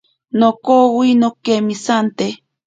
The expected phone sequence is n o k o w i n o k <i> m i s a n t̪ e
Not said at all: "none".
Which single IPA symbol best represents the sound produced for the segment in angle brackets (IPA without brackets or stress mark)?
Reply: e